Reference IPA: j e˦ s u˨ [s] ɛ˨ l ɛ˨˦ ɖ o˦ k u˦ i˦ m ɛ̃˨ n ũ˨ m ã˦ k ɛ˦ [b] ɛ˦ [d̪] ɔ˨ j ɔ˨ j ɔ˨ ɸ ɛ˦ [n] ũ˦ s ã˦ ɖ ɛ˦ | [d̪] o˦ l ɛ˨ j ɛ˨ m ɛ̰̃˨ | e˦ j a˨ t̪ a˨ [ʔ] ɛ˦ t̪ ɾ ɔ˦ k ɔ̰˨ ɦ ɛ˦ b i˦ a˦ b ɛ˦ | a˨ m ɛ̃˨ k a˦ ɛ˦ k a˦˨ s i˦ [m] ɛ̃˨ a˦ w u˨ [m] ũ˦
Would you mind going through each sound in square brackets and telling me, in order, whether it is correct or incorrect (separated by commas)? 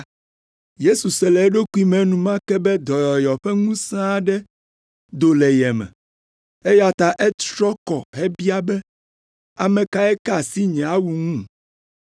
correct, correct, correct, incorrect, correct, correct, incorrect, incorrect